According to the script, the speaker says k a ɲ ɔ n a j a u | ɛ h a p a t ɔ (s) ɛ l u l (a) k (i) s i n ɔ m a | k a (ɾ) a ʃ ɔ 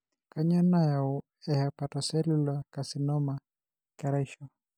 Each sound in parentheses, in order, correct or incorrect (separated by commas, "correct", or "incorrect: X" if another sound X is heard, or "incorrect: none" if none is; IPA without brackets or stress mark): correct, correct, incorrect: a, correct